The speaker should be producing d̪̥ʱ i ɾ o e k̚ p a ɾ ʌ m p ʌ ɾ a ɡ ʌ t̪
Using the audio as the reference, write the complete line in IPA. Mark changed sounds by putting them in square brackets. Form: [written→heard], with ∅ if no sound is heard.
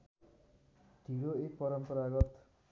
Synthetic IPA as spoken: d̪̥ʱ i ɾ o e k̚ p [a→ʌ] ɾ ʌ m p ʌ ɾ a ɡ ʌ t̪